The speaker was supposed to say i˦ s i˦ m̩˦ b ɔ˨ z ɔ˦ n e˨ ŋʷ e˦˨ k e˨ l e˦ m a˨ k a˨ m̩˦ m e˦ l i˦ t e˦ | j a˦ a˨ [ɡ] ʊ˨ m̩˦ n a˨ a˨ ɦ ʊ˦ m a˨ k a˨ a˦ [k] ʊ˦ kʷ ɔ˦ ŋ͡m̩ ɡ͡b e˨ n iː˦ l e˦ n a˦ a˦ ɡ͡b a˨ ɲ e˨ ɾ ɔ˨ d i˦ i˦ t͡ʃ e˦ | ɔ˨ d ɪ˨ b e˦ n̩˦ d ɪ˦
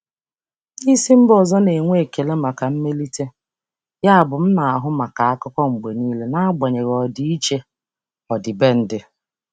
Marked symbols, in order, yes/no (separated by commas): no, yes